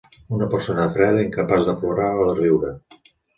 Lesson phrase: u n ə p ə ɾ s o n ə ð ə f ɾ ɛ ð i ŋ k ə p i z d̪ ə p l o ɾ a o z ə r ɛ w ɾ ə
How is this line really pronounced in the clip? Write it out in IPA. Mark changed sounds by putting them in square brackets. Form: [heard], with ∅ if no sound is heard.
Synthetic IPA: u n ə p ə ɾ s o n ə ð ə f ɾ ɛ ð i ŋ k ə p [a] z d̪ ə p l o ɾ a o [ð] ə r [i] w ɾ ə